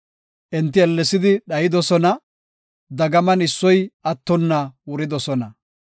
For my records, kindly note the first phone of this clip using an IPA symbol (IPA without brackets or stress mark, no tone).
ʔ